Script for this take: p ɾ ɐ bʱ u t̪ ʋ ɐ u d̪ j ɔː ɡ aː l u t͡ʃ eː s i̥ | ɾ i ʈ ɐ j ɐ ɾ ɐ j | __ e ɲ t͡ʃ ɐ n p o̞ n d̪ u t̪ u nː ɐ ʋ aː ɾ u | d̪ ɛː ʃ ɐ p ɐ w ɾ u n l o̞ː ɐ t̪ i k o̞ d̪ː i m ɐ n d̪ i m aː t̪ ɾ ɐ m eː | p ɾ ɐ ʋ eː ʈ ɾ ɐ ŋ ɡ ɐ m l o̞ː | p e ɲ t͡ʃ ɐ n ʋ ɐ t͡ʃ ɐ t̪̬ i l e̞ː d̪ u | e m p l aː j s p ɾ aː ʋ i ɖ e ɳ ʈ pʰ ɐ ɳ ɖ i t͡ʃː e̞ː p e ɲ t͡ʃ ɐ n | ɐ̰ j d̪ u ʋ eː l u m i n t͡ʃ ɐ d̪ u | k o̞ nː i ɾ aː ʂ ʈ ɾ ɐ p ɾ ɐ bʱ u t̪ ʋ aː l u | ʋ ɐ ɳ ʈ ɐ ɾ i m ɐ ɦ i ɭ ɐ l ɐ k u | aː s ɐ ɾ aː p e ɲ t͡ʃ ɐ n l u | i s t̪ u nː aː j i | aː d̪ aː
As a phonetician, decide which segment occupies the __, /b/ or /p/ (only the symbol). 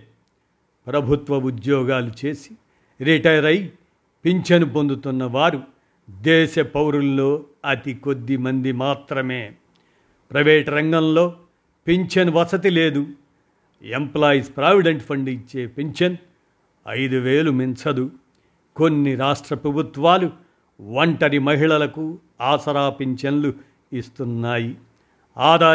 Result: p